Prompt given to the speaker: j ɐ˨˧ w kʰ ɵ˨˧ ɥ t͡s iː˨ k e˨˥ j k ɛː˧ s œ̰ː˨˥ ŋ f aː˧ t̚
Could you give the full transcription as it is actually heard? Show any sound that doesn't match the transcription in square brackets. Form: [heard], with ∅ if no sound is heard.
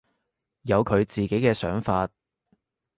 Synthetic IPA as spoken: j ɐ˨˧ w kʰ ɵ˨˧ ɥ t͡s iː˨ k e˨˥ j k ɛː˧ s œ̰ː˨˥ ŋ f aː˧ t̚